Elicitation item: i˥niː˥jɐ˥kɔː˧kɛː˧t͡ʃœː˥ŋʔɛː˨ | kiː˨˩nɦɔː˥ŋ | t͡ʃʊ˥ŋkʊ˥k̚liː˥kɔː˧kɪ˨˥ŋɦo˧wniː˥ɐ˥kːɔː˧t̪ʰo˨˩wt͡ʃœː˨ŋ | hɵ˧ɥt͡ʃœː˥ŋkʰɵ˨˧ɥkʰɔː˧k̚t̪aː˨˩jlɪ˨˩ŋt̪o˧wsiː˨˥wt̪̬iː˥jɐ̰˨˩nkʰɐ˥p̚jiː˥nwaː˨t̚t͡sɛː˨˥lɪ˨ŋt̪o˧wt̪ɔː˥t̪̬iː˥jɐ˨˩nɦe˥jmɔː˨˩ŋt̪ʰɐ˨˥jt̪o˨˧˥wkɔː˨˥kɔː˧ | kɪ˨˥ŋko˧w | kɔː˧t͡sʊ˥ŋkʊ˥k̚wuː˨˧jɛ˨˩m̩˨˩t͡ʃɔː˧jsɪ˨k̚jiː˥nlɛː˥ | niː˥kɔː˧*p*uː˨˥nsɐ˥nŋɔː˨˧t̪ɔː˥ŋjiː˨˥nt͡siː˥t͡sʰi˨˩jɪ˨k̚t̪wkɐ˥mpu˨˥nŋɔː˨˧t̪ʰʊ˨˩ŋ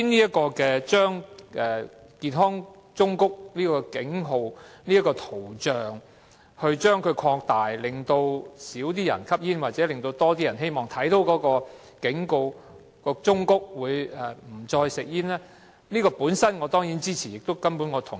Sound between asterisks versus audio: correct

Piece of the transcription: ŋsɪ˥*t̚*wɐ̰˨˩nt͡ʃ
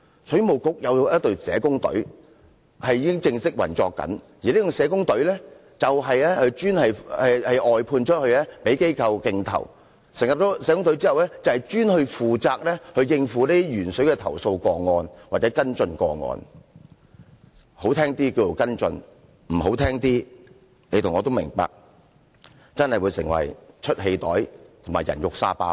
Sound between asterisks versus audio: incorrect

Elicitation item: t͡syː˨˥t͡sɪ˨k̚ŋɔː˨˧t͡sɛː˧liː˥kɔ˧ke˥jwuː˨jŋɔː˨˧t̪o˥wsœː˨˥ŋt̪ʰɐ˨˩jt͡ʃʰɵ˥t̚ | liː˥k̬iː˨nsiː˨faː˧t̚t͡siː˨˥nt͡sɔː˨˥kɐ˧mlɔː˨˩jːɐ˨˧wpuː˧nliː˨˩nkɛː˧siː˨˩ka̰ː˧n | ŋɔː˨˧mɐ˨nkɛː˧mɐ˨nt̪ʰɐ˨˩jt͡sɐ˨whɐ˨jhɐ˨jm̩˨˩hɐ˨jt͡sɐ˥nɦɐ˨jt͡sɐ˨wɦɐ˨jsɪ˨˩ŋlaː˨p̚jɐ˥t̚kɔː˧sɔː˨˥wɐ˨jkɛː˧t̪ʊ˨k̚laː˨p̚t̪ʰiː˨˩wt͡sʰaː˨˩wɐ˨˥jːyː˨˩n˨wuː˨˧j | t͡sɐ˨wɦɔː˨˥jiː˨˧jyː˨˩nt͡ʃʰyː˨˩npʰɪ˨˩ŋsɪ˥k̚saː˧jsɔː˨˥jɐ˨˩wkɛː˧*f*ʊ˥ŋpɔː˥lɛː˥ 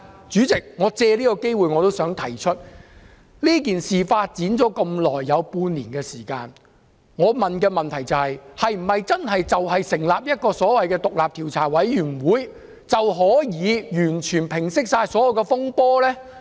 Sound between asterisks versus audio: correct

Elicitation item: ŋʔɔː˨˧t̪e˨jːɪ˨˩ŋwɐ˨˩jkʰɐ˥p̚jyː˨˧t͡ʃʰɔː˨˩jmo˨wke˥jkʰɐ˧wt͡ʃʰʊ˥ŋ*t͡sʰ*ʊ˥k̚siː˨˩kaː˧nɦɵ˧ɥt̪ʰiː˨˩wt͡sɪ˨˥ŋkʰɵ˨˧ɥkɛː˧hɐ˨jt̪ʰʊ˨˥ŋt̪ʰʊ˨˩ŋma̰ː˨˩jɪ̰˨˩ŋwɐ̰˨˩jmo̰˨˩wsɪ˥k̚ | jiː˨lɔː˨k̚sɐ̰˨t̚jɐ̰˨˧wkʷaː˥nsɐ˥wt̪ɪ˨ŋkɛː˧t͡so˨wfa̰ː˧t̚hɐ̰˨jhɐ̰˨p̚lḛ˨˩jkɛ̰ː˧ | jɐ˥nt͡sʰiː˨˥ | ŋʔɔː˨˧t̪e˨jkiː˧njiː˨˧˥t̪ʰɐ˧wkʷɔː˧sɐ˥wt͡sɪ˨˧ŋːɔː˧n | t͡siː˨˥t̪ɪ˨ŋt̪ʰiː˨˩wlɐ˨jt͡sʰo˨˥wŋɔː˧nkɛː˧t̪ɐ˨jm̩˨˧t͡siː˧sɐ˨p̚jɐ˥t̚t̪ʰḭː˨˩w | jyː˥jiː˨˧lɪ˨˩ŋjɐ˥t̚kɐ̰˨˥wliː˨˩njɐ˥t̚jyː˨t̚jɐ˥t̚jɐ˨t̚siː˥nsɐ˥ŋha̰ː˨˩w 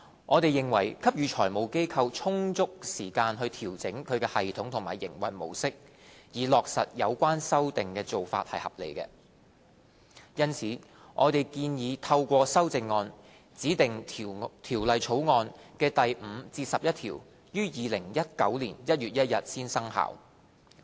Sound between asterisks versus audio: incorrect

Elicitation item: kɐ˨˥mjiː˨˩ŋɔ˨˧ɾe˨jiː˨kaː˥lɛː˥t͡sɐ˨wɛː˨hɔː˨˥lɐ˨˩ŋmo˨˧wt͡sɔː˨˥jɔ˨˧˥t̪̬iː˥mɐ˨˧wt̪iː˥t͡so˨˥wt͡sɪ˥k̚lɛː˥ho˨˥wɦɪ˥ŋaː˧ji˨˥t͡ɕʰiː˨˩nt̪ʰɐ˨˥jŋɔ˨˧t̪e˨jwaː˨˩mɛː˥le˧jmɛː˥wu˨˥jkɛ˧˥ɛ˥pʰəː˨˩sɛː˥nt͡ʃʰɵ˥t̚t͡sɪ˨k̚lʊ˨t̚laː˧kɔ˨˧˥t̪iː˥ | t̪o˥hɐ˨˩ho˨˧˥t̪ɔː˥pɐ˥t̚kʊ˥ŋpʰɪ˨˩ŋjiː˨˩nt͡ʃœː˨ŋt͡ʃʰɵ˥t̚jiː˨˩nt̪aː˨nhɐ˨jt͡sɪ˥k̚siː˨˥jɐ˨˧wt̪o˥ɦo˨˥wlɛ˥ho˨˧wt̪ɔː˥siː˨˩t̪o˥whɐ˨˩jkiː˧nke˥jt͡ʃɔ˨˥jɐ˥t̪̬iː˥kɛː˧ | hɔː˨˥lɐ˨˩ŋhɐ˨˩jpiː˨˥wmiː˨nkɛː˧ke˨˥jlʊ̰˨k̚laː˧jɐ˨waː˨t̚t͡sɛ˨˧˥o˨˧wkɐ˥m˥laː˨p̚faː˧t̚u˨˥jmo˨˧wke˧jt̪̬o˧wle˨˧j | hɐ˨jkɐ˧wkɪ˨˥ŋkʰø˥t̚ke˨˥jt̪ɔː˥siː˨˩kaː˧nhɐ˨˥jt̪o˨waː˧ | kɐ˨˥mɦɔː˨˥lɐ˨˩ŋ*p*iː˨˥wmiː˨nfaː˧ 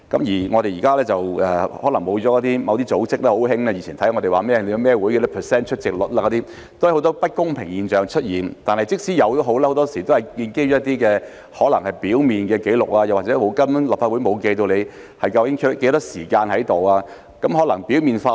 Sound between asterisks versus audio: correct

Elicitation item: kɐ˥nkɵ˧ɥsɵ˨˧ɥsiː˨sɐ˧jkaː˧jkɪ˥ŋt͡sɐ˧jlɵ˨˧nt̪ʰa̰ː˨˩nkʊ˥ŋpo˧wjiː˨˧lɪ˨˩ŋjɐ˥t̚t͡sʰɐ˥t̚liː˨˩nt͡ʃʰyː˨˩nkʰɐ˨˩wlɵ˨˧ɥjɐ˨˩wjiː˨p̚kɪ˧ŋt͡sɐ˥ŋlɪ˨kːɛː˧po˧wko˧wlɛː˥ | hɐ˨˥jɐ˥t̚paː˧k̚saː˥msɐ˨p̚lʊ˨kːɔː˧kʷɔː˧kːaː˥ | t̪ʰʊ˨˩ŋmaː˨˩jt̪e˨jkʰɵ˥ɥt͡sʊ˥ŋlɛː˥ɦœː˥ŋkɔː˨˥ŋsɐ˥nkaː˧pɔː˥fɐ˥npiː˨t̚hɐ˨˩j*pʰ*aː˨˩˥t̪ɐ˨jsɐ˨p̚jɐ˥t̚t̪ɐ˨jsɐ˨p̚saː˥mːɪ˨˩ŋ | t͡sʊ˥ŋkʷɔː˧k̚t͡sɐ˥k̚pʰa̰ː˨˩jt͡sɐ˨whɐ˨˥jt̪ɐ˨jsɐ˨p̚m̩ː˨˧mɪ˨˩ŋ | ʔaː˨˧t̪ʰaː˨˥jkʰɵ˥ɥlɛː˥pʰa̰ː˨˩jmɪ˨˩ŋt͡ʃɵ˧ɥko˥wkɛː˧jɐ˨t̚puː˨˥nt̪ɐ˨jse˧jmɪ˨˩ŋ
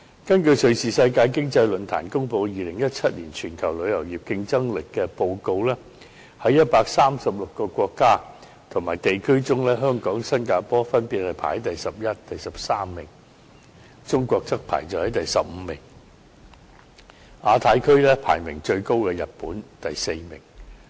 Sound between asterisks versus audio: correct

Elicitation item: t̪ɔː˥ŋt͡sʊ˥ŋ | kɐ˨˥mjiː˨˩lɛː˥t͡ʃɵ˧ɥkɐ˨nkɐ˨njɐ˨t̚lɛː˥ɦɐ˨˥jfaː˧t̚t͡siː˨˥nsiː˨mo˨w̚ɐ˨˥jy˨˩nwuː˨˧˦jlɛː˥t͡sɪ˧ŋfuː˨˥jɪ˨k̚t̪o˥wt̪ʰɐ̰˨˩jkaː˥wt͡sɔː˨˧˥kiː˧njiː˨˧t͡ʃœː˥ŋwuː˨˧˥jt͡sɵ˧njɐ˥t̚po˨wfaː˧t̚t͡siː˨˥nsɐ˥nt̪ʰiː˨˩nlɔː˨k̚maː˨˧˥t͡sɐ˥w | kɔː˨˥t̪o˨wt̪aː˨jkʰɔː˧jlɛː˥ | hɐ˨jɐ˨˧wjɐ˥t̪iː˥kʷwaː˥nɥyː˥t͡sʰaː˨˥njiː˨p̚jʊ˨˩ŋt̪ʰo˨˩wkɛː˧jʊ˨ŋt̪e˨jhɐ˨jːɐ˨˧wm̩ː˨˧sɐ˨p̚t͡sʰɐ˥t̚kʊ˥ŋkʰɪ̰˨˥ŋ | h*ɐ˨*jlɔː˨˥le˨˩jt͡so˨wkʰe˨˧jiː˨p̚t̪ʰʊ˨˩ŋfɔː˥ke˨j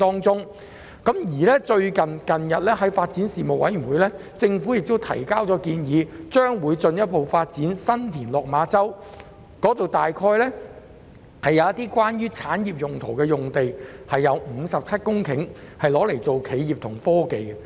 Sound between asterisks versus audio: correct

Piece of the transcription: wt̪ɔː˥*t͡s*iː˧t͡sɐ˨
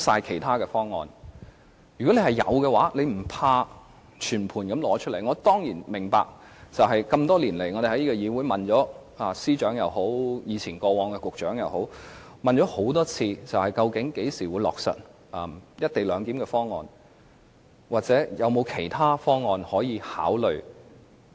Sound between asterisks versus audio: incorrect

